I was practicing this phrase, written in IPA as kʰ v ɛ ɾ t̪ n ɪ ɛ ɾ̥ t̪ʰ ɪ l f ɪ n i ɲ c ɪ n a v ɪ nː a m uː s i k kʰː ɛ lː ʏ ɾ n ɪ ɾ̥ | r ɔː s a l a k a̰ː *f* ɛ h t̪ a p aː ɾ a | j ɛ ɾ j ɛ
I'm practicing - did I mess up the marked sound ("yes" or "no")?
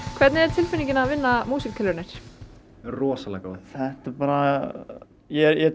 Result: yes